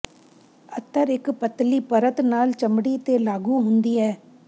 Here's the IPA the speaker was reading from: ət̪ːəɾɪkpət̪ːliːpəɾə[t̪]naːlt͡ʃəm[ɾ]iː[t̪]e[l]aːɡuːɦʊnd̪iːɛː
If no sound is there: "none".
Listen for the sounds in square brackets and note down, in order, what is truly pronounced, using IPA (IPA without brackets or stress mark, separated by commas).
t̪, ɽ, t̪, l